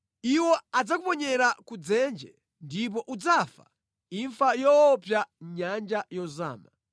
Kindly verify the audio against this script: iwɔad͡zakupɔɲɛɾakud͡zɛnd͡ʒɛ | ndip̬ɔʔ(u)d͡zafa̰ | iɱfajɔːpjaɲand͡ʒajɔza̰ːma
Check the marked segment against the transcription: correct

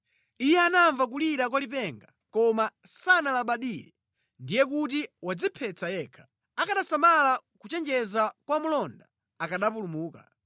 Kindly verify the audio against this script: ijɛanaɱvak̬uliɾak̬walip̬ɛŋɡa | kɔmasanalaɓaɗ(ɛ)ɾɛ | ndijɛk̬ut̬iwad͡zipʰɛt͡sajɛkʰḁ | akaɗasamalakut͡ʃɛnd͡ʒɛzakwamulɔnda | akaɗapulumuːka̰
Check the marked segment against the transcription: incorrect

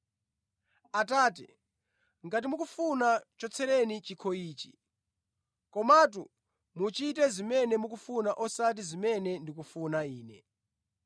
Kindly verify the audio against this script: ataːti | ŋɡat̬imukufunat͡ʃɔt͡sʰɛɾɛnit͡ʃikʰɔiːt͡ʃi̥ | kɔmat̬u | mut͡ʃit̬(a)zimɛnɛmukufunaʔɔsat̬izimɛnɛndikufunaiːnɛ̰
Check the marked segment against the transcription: incorrect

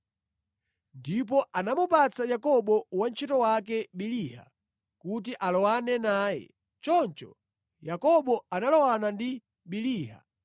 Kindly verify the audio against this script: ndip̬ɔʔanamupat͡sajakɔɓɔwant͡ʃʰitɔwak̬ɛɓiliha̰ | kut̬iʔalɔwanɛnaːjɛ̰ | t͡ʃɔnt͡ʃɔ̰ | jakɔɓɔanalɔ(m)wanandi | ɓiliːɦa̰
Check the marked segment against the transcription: incorrect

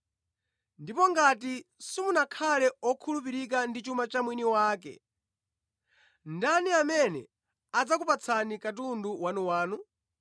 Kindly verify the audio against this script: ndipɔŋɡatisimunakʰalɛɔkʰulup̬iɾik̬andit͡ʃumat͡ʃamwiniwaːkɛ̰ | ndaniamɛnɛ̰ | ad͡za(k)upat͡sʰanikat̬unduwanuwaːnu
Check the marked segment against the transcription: correct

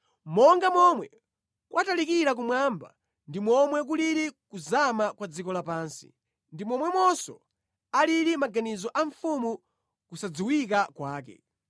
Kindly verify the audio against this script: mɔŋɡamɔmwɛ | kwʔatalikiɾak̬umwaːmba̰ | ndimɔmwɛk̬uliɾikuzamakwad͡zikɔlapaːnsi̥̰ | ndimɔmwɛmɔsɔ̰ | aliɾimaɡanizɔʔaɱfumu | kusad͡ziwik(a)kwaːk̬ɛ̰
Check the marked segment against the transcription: correct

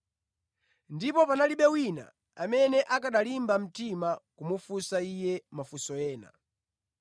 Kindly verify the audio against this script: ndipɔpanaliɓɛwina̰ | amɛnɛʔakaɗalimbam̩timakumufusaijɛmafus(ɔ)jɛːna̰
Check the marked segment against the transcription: correct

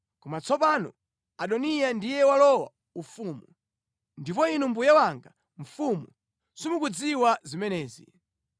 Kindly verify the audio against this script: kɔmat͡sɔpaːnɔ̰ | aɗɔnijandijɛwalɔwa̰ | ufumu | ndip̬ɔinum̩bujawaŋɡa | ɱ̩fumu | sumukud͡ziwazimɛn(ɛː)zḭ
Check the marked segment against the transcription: correct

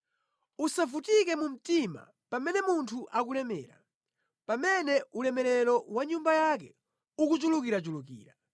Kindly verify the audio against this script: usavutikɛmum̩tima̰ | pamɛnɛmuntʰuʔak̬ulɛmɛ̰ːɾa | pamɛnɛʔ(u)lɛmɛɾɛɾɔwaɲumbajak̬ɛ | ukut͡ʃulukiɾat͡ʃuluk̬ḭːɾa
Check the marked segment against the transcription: correct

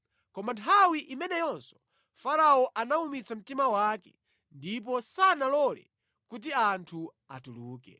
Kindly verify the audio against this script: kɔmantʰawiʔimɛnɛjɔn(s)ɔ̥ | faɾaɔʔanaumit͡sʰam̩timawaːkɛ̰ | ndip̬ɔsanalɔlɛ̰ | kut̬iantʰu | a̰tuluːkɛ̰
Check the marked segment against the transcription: correct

